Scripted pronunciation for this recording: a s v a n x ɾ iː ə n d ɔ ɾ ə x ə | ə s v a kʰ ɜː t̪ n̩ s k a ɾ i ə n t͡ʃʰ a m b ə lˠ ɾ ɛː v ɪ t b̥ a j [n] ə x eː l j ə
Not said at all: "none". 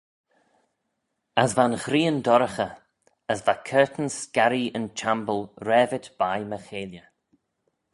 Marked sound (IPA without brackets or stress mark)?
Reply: m